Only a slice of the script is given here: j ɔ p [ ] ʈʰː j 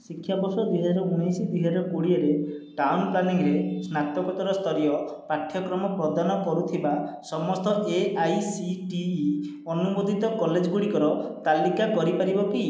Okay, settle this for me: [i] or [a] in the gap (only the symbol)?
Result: a